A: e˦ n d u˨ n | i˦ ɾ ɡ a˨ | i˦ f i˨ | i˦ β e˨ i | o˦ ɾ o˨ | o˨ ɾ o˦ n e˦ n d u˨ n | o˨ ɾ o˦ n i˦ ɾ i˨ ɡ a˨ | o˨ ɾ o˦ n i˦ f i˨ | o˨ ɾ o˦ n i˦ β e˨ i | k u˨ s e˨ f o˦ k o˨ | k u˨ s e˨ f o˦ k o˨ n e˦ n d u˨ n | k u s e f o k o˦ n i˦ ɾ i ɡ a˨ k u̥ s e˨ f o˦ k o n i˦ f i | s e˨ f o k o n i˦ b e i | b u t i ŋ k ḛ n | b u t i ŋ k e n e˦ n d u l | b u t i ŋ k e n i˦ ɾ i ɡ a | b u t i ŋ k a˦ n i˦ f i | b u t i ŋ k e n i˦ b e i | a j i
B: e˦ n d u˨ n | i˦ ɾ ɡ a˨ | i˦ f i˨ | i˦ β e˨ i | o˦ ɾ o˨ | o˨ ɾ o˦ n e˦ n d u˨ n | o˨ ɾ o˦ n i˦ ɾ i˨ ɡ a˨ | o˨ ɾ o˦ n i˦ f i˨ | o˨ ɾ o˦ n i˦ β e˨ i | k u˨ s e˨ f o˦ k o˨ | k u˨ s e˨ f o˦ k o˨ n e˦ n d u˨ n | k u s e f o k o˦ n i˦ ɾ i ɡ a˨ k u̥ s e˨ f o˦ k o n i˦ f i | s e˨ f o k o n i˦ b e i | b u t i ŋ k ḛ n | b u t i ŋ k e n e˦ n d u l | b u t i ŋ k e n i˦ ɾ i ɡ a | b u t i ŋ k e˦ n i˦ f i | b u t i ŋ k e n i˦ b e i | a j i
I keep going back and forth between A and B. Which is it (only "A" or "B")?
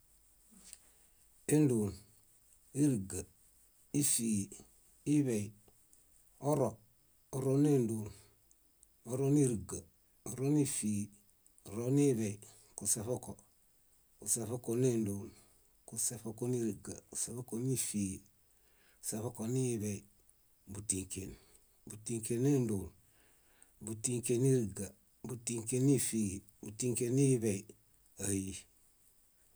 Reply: B